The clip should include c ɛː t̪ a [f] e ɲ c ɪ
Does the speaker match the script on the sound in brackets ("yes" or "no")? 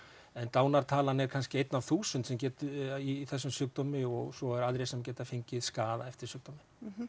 yes